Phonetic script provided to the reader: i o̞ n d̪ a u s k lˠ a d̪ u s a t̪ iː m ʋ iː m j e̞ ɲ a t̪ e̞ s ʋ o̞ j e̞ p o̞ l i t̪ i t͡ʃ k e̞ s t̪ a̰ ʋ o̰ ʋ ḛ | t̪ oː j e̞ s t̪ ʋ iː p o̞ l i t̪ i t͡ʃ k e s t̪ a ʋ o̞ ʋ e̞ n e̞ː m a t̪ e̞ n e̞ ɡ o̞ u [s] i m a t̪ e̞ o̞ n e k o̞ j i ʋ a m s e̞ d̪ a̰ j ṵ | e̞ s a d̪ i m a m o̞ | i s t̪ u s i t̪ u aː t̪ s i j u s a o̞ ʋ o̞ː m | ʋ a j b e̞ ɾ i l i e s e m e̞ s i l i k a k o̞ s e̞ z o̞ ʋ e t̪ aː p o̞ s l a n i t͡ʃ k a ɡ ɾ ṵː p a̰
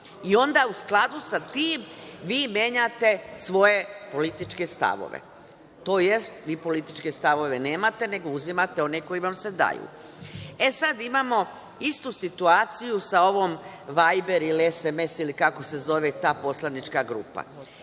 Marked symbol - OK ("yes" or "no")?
no